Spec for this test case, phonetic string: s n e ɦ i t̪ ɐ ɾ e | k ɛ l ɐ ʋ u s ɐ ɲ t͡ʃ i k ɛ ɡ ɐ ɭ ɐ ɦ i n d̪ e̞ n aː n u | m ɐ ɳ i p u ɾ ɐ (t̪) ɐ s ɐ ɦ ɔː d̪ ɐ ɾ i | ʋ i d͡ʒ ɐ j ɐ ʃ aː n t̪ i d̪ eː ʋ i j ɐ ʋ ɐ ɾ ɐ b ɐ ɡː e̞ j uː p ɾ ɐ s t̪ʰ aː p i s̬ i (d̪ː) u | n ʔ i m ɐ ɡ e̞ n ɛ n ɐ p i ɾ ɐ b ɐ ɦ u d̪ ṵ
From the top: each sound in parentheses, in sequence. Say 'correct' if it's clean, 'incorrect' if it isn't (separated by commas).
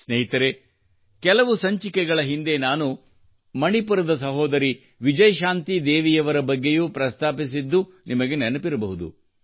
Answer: incorrect, correct